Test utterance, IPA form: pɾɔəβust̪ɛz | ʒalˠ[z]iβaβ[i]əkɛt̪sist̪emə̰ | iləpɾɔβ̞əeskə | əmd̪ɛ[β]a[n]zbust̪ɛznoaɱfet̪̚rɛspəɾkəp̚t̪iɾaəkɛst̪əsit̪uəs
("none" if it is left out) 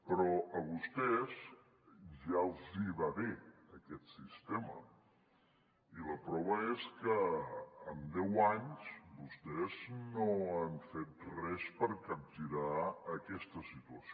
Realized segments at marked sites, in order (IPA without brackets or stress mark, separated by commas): z, e, w, ɲ